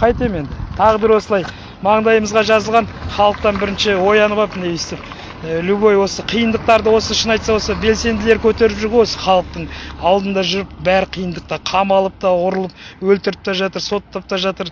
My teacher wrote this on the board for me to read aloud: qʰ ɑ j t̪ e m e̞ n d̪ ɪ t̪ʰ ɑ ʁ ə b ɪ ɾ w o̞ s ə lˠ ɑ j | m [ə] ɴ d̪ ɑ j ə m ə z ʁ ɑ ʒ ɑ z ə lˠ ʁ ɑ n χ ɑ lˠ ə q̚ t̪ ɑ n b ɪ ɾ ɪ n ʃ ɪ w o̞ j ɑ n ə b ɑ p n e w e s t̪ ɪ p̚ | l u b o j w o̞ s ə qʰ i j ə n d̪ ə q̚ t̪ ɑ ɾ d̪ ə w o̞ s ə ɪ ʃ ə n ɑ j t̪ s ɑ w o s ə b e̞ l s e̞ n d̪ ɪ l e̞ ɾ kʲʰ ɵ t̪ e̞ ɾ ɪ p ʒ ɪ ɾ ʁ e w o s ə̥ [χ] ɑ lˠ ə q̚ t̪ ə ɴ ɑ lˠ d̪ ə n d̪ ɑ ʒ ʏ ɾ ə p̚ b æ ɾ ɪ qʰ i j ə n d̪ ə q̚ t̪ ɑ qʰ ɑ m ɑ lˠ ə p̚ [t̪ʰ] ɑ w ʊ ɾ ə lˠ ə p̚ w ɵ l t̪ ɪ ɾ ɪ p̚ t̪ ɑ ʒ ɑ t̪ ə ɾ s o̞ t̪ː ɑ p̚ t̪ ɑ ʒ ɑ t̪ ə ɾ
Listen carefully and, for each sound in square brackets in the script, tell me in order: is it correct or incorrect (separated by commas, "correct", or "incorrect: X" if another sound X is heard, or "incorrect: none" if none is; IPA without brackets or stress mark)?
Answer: incorrect: ɑ, correct, incorrect: t̪